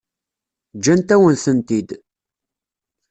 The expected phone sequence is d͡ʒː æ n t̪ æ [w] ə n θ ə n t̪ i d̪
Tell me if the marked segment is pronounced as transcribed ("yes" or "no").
yes